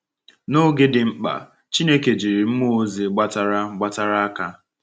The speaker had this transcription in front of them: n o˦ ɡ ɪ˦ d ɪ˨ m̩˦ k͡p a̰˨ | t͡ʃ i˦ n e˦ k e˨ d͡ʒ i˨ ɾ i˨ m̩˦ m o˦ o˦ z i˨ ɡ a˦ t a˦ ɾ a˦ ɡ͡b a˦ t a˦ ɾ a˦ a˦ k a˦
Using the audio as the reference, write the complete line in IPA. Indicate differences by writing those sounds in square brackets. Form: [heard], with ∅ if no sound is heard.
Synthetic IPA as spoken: n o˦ ɡ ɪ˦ d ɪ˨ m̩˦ k͡p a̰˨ | t͡ʃ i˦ n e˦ k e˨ d͡ʒ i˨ ɾ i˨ m̩˦ m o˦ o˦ z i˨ [ɡ͡b] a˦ t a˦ ɾ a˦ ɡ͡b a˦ t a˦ ɾ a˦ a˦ k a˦

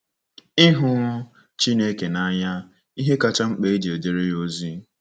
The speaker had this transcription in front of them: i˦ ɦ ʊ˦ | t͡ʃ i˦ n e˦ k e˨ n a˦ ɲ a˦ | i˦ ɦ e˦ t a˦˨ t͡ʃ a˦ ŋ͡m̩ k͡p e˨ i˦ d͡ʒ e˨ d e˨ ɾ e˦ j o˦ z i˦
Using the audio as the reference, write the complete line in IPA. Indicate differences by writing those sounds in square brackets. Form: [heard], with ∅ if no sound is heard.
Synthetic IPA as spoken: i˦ ɦ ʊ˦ | t͡ʃ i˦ n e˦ k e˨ n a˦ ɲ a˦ | i˦ ɦ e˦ [k] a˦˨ t͡ʃ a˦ ŋ͡m̩ k͡p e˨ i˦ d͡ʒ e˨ d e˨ ɾ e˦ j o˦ z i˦

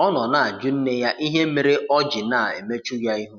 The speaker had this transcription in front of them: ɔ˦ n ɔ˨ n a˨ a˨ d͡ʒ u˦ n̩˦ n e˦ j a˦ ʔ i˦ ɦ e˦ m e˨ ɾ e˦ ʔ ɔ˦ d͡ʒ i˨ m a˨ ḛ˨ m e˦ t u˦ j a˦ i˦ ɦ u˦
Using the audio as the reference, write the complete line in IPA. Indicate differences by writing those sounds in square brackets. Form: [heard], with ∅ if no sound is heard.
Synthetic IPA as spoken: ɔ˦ n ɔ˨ n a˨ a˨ d͡ʒ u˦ n̩˦ n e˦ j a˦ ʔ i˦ ɦ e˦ m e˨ ɾ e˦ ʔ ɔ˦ d͡ʒ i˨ [n] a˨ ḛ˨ m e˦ [t͡ʃ] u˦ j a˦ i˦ ɦ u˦

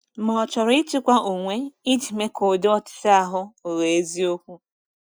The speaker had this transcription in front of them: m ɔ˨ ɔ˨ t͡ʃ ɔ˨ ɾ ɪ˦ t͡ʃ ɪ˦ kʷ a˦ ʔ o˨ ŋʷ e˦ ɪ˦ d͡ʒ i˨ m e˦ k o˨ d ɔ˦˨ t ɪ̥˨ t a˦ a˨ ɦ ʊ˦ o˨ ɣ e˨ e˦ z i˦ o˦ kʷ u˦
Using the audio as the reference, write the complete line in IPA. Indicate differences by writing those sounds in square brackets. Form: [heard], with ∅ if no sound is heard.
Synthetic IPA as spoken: m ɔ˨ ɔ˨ t͡ʃ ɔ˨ ɾ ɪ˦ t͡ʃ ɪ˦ kʷ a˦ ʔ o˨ ŋʷ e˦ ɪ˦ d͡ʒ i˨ m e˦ k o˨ d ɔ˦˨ t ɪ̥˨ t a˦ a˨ ɦ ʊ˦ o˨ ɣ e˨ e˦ z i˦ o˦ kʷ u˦

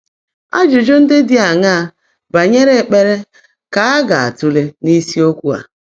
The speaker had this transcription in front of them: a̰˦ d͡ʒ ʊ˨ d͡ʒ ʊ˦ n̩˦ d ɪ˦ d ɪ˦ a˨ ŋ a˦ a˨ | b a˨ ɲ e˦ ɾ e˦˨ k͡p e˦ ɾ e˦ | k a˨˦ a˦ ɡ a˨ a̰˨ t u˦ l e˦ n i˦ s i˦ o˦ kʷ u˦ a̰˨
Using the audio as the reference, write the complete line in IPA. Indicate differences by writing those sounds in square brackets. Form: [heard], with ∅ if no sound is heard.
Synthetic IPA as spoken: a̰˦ d͡ʒ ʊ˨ d͡ʒ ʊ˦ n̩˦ d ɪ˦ d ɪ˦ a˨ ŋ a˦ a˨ | b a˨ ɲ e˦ ɾ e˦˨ k͡p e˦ ɾ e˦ | k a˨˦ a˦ ɡ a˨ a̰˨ t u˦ l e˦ n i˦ s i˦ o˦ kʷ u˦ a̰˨

